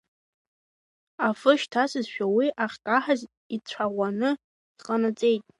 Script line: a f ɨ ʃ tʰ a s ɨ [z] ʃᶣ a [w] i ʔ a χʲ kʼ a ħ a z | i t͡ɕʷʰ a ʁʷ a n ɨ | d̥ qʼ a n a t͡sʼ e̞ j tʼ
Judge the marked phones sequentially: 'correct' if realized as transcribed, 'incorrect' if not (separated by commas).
correct, correct